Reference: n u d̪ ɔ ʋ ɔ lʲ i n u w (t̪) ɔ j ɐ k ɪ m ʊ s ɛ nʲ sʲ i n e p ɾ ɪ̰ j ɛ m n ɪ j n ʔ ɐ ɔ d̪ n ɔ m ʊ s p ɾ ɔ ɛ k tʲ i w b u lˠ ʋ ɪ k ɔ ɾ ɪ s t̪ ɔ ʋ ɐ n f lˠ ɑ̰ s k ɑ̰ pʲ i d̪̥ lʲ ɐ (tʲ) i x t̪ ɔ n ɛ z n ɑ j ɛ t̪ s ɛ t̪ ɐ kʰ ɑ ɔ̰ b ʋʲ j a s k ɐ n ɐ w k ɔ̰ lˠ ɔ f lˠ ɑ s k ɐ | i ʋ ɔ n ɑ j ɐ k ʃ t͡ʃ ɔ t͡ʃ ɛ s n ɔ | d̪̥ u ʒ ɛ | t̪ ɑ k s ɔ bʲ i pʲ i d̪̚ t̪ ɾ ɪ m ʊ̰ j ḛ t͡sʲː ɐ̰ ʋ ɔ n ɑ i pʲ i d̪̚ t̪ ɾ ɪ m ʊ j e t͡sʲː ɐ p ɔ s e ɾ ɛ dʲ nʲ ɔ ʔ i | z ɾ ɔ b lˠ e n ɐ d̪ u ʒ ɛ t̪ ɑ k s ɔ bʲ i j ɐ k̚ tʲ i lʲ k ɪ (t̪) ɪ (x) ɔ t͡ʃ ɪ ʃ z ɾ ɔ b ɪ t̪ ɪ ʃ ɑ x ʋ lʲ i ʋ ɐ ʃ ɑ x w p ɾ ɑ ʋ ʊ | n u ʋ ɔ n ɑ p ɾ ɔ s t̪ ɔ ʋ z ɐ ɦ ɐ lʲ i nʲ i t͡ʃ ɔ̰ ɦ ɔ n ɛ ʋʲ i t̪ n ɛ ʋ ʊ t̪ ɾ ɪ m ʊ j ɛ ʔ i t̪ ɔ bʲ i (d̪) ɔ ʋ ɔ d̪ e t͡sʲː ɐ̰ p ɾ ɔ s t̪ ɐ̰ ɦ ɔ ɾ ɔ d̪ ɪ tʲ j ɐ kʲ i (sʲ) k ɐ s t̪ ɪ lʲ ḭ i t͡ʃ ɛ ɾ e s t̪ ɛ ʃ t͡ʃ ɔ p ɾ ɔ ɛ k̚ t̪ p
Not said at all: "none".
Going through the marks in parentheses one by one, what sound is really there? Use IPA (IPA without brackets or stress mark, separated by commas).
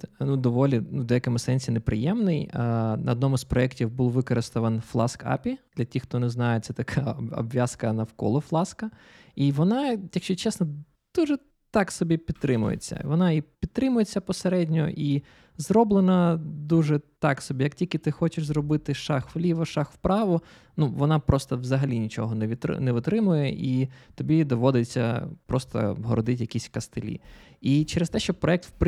d̪, tʲ, t̪, x, d̪, sʲ